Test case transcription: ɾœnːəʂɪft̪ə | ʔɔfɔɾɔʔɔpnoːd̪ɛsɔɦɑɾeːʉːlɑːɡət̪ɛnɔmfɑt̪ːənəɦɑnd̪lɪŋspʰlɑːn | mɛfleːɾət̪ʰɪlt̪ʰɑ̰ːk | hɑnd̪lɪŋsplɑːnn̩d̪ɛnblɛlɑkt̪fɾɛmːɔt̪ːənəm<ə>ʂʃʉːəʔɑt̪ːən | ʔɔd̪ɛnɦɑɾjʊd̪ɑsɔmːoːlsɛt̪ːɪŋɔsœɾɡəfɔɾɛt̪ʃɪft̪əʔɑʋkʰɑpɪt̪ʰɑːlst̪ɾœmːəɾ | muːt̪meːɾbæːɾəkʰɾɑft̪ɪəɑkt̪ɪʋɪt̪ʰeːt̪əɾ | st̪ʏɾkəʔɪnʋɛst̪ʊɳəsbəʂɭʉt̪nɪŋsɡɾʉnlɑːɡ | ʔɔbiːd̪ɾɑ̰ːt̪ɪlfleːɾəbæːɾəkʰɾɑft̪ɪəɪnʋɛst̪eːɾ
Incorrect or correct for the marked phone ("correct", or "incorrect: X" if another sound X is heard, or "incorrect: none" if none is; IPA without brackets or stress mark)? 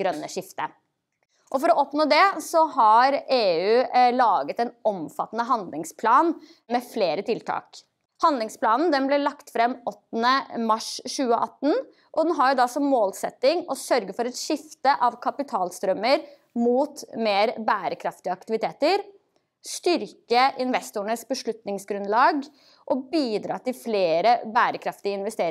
incorrect: ɑ